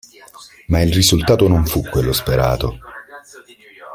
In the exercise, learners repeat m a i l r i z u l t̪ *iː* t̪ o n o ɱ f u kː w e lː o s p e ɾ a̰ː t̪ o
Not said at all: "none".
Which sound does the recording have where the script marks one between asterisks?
aː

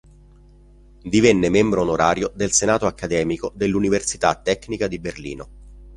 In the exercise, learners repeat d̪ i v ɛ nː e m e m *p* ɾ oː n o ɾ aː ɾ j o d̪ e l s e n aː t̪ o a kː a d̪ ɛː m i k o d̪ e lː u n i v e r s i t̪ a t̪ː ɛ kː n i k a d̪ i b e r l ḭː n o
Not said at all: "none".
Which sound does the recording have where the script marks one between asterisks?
b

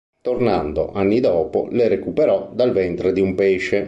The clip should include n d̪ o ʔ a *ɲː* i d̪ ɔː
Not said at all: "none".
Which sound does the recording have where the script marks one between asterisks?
nː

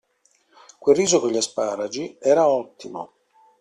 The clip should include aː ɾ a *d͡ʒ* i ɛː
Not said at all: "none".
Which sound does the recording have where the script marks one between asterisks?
d͡ʒ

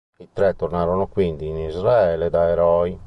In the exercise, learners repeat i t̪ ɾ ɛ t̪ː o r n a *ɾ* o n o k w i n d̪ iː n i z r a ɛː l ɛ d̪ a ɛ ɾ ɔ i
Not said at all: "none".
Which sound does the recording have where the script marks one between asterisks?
ɾ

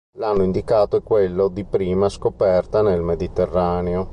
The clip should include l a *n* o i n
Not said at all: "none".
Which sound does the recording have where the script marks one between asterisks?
nː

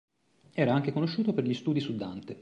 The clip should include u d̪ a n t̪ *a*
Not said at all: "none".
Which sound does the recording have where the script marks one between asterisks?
e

